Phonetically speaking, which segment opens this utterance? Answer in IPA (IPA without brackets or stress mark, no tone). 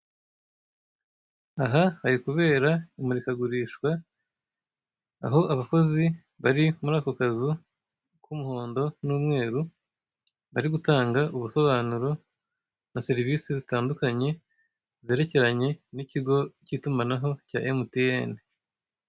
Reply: a